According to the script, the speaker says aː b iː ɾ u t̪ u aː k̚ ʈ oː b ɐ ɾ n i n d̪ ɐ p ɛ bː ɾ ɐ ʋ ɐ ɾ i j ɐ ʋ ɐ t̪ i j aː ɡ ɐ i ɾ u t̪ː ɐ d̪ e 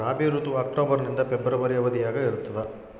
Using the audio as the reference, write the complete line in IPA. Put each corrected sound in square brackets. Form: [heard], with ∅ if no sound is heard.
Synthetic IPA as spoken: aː b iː ɾ u t̪ u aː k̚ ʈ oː b ɐ ɾ n i n d̪ ɐ p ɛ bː ɾ ɐ ʋ ɐ ɾ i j ɐ ʋ ɐ [d̪] i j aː ɡ ɐ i ɾ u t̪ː ɐ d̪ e